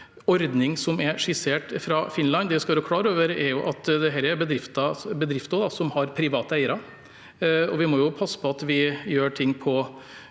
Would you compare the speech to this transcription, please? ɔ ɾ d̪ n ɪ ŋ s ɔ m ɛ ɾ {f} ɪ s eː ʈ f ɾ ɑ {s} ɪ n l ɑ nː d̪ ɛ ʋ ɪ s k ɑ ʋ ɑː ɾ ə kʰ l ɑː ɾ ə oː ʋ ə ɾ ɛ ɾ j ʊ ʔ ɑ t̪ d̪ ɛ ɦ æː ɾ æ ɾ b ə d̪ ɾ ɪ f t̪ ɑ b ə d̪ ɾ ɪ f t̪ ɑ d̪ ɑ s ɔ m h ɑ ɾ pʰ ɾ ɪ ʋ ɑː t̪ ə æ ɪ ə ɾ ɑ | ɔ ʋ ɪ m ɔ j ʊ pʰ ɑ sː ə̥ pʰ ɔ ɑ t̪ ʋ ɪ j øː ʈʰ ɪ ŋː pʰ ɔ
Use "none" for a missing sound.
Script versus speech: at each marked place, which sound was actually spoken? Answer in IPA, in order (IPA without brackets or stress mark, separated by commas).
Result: ʂ, f